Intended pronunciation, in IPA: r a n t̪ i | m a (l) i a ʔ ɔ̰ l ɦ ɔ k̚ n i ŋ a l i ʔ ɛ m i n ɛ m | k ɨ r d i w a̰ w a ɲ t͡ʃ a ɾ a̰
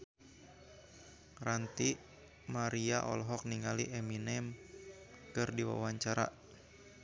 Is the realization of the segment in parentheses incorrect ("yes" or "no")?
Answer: yes